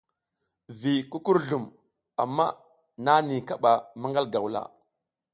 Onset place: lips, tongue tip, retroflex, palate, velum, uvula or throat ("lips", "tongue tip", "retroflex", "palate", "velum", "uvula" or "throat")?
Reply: lips